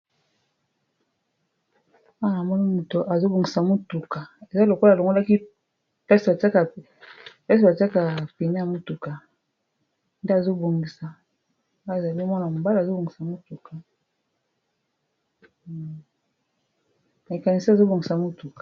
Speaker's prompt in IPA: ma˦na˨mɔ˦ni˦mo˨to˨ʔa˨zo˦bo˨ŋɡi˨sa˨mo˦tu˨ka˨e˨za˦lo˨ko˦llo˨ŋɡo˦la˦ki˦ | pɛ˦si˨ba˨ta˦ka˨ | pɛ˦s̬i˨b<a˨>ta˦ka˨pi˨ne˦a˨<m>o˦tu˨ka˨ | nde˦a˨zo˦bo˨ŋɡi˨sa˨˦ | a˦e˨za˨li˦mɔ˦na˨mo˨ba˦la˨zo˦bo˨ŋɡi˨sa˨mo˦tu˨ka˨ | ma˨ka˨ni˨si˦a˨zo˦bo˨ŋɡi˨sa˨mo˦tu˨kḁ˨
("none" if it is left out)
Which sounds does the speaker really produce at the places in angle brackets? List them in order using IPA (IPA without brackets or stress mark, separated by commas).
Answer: a˨, m